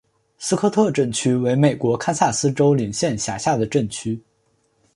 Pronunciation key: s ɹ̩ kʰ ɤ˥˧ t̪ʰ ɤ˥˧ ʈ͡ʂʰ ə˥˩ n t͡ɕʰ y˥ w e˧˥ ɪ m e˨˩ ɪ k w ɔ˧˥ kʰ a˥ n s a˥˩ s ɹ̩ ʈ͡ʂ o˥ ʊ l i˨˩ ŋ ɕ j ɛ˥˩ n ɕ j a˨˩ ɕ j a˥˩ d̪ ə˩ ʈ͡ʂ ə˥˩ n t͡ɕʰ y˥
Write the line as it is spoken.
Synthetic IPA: s ɹ̩ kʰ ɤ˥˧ t̪ʰ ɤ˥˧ ʈ͡ʂ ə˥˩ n t͡ɕʰ y˥ w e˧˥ ɪ m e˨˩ ɪ k w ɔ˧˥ kʰ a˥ n s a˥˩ s ɹ̩ ʈ͡ʂ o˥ ʊ l i˨˩ ŋ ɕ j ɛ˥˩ n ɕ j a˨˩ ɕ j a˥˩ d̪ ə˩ ʈ͡ʂ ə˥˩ n t͡ɕʰ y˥